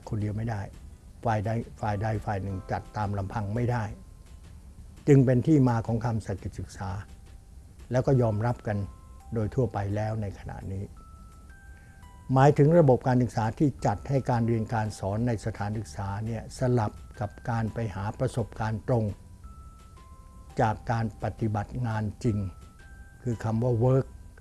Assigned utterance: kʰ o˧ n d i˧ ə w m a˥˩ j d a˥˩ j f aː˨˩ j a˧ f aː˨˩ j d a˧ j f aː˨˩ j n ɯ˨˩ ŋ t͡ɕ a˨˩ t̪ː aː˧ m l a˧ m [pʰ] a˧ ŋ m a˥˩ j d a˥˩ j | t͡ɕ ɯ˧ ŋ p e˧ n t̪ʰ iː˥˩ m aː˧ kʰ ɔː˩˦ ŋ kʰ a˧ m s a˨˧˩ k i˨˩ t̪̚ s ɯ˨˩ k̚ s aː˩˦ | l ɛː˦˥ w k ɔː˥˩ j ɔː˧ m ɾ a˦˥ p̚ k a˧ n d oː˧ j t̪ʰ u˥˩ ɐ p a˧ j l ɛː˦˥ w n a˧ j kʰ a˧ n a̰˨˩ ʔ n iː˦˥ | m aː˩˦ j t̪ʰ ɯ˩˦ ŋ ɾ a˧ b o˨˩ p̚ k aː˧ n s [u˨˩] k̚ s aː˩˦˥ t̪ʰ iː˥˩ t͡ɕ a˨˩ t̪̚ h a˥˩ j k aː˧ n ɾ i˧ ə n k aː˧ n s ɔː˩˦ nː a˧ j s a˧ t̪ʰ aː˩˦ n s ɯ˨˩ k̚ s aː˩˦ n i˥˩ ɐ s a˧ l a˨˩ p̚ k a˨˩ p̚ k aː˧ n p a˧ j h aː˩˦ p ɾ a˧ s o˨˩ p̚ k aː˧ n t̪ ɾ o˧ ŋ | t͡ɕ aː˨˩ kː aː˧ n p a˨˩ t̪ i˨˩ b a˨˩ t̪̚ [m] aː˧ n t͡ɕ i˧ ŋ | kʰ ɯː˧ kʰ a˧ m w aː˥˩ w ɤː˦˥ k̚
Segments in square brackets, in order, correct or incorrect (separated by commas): correct, incorrect, incorrect